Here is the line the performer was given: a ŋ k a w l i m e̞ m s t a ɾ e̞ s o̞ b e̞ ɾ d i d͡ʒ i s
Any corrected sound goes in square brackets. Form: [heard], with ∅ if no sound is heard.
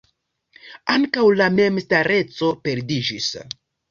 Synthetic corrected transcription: a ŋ k a w l [a] m e̞ m s t a ɾ e̞ [t͡s] o̞ [p] e̞ ɾ d i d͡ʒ i s